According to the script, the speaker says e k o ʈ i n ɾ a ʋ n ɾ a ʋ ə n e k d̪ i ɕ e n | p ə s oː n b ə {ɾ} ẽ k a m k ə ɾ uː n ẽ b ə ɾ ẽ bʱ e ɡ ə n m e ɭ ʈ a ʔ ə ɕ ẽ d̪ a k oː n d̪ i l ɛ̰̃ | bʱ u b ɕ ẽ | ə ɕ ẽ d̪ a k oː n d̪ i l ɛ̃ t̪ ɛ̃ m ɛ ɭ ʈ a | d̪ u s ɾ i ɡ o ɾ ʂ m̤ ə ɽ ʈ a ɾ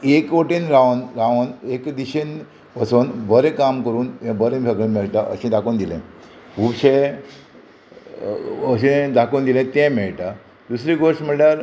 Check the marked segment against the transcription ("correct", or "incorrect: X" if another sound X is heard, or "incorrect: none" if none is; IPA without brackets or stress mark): correct